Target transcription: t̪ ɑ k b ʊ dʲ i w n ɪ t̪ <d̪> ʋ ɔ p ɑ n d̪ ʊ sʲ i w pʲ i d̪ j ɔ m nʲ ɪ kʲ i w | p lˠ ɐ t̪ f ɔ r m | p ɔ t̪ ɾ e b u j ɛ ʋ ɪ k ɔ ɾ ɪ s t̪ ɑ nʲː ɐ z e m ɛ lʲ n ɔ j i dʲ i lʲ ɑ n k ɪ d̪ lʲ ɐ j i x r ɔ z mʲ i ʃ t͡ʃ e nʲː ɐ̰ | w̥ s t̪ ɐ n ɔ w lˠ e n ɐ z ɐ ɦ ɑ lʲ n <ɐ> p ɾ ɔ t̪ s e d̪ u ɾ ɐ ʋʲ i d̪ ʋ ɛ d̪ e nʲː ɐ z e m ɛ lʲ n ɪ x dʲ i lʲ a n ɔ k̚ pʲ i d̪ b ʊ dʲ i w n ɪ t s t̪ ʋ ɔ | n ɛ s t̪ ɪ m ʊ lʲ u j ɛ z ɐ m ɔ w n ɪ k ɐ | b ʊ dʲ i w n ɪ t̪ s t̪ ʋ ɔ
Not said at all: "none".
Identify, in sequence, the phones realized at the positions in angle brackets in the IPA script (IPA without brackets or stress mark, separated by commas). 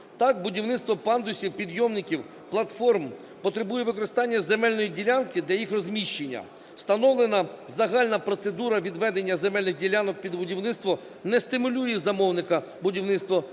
t̪, ɐ